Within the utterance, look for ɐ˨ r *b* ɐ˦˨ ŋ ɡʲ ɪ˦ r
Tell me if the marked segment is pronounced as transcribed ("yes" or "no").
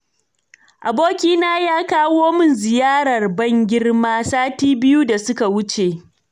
yes